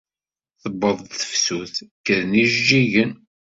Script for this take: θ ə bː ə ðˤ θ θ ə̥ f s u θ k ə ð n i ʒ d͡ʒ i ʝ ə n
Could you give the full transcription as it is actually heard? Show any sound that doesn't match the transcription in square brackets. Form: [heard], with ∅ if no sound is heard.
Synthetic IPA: θ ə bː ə ðˤ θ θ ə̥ f s u θ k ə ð n i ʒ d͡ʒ i ʝ ə n